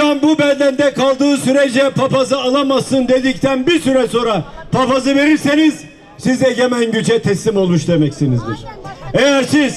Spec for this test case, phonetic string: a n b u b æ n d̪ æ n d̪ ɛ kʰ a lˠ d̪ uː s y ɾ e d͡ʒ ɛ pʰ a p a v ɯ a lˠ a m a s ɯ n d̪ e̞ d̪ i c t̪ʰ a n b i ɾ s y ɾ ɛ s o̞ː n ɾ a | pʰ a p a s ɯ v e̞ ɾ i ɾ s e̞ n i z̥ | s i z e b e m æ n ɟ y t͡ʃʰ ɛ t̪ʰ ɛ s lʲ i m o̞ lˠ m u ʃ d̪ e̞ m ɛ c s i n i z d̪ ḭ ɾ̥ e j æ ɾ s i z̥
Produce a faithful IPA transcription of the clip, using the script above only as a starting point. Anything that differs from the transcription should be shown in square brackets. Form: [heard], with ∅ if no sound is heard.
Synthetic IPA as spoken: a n b u b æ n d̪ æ n d̪ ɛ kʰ a lˠ d̪ [ɯː] s y ɾ e d͡ʒ ɛ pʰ a p a [z] ɯ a lˠ a m a s ɯ n d̪ e̞ d̪ i c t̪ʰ [æ] n b i ɾ s y ɾ ɛ s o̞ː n ɾ a | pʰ a p a [z] ɯ v e̞ ɾ i ɾ s e̞ n i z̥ | s i z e [ɟ] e m æ n ɟ y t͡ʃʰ ɛ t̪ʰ ɛ s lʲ i m o̞ lˠ m u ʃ d̪ e̞ m ɛ c s i n i z d̪ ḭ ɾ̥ e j æ ɾ s i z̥

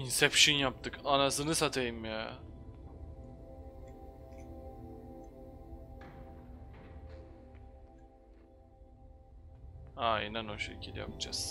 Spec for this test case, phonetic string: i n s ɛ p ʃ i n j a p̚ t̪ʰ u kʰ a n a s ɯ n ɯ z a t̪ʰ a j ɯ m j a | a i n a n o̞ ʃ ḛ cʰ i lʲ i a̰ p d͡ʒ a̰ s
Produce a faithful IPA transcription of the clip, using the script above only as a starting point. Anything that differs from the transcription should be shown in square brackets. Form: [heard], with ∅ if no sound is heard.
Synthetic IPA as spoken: i n s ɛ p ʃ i n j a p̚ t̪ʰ [ɯ] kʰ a n a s ɯ n ɯ [s] a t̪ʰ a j ɯ m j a | a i n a n o̞ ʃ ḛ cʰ i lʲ [j] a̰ p d͡ʒ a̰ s

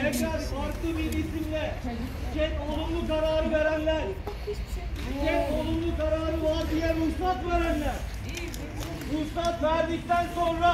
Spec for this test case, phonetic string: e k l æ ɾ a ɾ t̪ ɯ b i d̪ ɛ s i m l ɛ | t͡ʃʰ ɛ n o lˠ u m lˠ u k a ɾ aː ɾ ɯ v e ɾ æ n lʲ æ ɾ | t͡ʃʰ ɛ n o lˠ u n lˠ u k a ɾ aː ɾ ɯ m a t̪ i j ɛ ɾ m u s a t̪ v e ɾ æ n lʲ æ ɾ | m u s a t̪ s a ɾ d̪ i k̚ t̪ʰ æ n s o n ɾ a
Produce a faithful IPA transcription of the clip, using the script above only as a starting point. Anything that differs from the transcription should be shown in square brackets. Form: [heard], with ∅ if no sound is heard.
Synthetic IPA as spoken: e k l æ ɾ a ɾ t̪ ɯ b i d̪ [i] s i m l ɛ | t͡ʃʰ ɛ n o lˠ u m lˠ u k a ɾ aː ɾ ɯ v e ɾ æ n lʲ æ ɾ | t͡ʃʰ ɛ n o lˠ u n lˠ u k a ɾ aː ɾ ɯ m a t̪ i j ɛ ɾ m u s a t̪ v e ɾ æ n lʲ æ ɾ | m u s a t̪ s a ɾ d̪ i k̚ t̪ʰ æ n s o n ɾ a

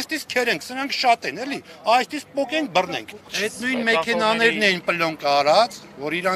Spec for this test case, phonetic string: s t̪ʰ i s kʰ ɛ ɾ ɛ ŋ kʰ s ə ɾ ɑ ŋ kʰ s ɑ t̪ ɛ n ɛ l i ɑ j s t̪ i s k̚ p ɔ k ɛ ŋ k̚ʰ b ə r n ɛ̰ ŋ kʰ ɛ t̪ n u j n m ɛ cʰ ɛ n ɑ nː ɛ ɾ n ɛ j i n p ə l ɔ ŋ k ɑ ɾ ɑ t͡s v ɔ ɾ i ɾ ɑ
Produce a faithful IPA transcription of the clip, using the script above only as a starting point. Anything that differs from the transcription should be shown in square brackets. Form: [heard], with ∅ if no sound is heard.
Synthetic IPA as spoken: s [t̪] i s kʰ ɛ ɾ ɛ ŋ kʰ s ə ɾ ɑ ŋ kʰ [ʃ] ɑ t̪ ɛ n ɛ l i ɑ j s t̪ i s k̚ p ɔ k ɛ ŋ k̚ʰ b ə r n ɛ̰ ŋ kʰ ɛ t̪ n u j n m ɛ [kʰ] ɛ n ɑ [n] ɛ ɾ n ɛ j i n p ə l ɔ ŋ k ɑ ɾ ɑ t͡s v ɔ ɾ i ɾ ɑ

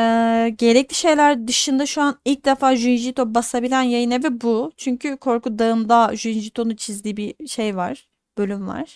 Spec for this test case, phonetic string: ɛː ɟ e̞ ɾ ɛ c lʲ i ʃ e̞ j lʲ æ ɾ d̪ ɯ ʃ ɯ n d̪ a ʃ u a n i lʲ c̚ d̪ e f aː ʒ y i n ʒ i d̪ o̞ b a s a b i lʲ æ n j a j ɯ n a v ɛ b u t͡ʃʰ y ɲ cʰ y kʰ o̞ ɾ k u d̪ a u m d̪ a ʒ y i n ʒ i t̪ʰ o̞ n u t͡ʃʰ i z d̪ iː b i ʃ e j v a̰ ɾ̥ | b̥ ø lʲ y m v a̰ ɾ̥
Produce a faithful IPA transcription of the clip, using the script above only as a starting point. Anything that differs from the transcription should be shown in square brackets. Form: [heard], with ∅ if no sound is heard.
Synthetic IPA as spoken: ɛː ɟ e̞ ɾ ɛ c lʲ i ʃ e̞ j lʲ æ ɾ d̪ ɯ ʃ ɯ n d̪ a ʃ u a n i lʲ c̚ d̪ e f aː ʒ y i n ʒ i [t̪] o̞ b a s a b i lʲ æ n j a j ɯ n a v ɛ b u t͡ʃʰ y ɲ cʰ y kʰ o̞ ɾ k u d̪ a [ɯ] m d̪ a ʒ y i n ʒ i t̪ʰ o̞ n u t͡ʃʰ i z d̪ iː b i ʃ e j v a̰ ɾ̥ | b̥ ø lʲ y m v a̰ ɾ̥

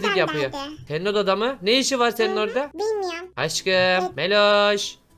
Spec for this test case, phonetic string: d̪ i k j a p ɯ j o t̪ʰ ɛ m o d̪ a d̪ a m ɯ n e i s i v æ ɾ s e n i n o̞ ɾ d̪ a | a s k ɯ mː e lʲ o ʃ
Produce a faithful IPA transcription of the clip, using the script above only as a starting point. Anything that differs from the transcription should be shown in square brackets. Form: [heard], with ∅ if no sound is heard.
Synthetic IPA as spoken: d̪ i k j a p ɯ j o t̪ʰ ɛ [n] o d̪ a d̪ a m ɯ n e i [ʃ] i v [a] ɾ s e n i n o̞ ɾ d̪ a | a [ʃ] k ɯ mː e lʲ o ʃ

